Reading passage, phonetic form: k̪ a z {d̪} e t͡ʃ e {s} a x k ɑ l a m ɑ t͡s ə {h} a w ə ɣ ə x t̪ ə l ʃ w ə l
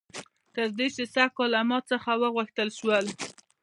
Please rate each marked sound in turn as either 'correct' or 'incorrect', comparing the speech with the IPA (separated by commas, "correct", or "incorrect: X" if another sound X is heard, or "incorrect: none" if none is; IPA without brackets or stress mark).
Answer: correct, correct, incorrect: x